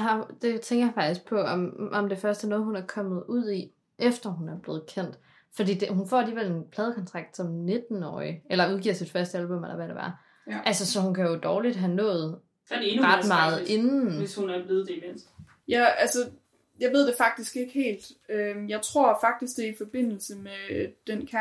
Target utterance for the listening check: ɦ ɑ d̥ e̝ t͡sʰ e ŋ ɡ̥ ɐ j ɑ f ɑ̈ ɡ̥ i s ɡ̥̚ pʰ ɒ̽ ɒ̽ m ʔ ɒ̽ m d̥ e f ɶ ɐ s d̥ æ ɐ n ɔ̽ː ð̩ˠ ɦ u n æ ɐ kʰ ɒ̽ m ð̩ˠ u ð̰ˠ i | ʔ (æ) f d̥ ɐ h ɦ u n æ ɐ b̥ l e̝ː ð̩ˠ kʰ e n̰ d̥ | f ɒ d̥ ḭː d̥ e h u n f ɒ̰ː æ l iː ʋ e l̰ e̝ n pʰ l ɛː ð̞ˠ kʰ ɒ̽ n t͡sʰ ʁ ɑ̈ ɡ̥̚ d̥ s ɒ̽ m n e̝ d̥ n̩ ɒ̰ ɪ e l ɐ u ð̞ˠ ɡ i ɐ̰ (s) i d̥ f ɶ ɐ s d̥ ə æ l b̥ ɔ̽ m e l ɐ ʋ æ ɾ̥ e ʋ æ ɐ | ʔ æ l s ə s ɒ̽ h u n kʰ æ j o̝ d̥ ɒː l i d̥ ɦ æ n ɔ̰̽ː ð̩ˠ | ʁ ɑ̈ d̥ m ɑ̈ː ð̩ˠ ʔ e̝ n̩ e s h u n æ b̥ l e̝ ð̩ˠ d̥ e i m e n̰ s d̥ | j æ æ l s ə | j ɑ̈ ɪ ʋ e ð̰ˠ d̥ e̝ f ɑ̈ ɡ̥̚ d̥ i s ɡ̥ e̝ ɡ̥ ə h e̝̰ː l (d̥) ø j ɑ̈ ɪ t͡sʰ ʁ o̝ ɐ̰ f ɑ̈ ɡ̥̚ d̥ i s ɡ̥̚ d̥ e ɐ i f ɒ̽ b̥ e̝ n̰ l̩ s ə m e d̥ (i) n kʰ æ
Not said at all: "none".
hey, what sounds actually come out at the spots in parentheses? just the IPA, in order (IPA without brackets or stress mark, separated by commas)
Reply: e, s, d̥, e